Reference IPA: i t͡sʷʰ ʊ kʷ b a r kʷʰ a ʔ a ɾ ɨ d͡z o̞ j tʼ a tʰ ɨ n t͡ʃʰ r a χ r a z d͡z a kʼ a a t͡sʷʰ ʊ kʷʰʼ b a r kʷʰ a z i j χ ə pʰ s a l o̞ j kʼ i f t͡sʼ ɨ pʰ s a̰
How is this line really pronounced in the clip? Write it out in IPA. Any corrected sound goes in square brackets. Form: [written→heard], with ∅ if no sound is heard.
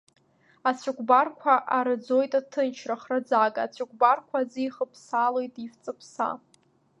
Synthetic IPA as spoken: [i→a] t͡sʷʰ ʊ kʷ b a r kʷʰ a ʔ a ɾ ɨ d͡z o̞ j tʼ a tʰ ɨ n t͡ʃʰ r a χ r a [z→∅] d͡z a kʼ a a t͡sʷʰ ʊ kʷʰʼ b a r kʷʰ a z i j χ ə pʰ s a l o̞ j [kʼ→tʼ] i f t͡sʼ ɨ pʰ s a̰